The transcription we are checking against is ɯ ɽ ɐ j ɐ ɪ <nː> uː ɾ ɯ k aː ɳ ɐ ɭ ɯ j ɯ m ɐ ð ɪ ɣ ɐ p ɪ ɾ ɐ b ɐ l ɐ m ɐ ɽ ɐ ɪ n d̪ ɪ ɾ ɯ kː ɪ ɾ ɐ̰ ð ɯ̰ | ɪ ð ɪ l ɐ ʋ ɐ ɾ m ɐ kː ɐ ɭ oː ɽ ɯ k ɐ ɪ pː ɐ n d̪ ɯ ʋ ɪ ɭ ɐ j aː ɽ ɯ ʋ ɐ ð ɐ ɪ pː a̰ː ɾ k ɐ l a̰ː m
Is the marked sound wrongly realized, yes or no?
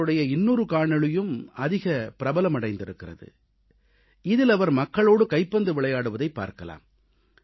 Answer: no